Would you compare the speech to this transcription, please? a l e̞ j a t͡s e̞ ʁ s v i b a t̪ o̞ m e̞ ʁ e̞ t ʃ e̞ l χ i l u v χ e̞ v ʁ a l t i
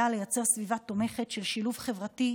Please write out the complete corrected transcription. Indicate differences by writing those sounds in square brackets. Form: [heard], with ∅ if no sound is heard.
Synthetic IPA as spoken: a l e̞ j a t͡s e̞ ʁ s v i [v] a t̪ o̞ m e̞ [χ] e̞ t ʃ e̞ l [ʃ] i l u v χ e̞ v ʁ a [∅] t i